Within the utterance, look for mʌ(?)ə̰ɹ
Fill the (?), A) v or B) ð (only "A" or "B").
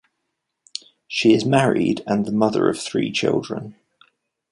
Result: B